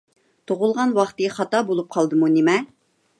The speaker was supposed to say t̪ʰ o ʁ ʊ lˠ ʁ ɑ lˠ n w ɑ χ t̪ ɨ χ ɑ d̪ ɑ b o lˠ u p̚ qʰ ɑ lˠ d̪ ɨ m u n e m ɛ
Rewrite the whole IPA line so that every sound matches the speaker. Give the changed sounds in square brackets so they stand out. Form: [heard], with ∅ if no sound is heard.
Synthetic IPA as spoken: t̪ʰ o ʁ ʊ lˠ ʁ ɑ [∅] n w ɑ χ t̪ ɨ χ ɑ [t̪] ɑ b o lˠ u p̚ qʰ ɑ lˠ d̪ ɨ m u n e m ɛ

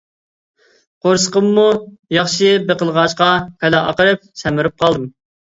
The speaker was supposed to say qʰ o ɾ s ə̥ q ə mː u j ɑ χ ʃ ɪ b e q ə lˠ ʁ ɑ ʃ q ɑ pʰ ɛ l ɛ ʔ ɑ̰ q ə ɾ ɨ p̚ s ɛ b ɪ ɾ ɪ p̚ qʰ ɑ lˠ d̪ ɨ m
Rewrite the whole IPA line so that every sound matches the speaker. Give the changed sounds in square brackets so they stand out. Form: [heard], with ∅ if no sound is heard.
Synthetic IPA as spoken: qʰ o ɾ s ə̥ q ə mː u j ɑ χ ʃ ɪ b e q ə lˠ ʁ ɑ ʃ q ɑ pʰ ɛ l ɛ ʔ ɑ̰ q ə ɾ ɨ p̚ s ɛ [m] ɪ ɾ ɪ p̚ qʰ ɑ lˠ d̪ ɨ m

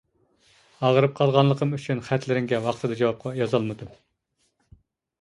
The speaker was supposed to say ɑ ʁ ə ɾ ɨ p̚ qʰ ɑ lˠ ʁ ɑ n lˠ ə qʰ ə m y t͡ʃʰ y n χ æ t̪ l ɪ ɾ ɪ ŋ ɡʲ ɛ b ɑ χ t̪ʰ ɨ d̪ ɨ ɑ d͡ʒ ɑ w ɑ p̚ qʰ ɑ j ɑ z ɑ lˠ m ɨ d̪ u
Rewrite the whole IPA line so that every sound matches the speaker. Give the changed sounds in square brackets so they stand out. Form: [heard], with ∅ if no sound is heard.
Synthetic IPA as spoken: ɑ ʁ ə ɾ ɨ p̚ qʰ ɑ lˠ ʁ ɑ n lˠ ə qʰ ə m y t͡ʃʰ y n χ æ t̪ l ɪ ɾ ɪ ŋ ɡʲ ɛ [w] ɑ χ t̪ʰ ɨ d̪ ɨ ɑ d͡ʒ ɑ w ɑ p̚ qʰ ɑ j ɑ z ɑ lˠ m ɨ d̪ u

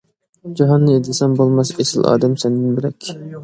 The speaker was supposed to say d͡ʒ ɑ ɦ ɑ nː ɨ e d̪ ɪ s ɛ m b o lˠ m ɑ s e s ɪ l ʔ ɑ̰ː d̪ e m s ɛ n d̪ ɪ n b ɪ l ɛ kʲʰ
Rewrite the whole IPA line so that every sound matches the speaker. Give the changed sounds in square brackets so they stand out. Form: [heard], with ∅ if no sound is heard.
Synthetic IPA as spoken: d͡ʒ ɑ ɦ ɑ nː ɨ e d̪ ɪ s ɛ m b o lˠ m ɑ s e s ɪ l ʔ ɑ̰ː d̪ [ɛ] m s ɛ n d̪ ɪ n b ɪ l ɛ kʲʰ

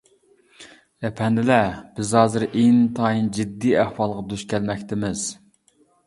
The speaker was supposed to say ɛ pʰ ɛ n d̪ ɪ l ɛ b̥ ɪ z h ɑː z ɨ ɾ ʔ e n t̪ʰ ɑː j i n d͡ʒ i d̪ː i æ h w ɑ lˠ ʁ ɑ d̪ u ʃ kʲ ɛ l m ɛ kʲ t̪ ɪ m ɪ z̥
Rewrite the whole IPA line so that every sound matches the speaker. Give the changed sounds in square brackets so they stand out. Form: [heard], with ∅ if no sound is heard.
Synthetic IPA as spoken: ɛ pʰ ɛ n d̪ ɪ l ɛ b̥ ɪ z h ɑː z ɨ ɾ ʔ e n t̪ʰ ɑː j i n d͡ʒ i d̪ː i æ h w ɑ lˠ ʁ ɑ d̪ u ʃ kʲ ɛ l m ɛ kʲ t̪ ɪ m ɪ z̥

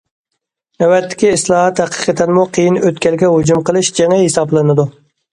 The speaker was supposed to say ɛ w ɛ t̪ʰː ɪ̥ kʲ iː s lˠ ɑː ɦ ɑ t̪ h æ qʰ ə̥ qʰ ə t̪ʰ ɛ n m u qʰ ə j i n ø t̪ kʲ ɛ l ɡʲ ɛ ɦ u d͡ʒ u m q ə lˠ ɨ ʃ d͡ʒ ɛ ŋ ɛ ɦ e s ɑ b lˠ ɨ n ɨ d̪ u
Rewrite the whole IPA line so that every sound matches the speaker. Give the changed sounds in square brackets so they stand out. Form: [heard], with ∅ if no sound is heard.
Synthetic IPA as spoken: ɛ w ɛ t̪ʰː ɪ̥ kʲ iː s lˠ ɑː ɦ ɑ t̪ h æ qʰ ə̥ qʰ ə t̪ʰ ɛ n m u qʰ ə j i n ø t̪ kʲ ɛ l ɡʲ ɛ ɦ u d͡ʒ u m q ə lˠ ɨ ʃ d͡ʒ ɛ ŋ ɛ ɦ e s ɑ b lˠ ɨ n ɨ d̪ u

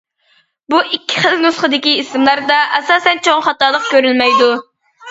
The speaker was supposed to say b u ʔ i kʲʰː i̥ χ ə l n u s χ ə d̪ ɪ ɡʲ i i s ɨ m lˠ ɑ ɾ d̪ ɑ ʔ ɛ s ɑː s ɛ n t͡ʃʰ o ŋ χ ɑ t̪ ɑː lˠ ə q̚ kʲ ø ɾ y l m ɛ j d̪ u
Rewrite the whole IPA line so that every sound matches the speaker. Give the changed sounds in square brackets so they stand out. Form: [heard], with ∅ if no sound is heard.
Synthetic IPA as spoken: b u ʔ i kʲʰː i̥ χ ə l n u s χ ə d̪ ɪ [kʲ] i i s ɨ m lˠ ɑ ɾ d̪ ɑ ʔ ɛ s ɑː s ɛ n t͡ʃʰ o ŋ χ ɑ t̪ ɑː lˠ ə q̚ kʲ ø ɾ y l m ɛ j d̪ u

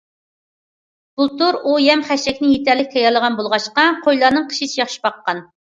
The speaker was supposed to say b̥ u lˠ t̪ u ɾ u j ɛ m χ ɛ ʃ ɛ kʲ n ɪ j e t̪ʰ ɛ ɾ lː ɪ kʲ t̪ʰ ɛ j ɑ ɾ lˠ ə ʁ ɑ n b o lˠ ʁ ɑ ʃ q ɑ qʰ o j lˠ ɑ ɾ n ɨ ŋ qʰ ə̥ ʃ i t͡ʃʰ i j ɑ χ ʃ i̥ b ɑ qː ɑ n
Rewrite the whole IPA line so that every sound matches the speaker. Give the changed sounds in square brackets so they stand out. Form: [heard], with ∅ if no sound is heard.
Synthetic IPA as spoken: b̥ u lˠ t̪ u ɾ u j ɛ m χ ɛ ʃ ɛ kʲ n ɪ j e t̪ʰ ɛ ɾ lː ɪ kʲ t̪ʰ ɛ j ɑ ɾ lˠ ə ʁ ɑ n b o lˠ ʁ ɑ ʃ q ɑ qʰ o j lˠ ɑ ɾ n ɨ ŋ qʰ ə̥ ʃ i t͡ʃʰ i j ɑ χ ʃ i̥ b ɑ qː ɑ n

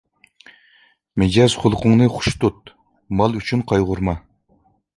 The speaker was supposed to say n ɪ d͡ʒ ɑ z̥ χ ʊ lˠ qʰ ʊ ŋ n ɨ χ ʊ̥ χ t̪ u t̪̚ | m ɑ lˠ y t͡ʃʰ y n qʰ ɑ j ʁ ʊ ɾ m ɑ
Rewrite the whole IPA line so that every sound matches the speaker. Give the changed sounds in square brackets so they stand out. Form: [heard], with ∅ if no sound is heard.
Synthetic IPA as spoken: [m] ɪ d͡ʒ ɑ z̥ χ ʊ lˠ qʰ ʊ ŋ n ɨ χ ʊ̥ [ʃ] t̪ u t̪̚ | m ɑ lˠ y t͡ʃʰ y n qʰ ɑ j ʁ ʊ ɾ m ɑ

